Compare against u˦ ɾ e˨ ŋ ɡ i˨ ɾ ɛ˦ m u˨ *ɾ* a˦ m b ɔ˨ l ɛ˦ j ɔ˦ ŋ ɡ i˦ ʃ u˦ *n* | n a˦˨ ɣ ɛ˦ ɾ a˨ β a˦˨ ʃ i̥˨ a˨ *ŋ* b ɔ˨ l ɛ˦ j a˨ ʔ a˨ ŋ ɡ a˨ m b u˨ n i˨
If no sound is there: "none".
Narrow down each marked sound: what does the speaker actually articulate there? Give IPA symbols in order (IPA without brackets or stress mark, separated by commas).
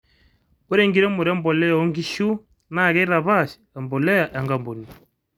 ɾ, none, m